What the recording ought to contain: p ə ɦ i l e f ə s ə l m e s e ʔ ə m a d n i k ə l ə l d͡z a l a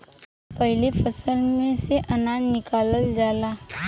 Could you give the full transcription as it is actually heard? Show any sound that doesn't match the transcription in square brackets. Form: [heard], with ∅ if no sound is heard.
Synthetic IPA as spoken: p ə ɦ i l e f ə s ə l m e s e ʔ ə [n] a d n i k [a] l ə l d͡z a l a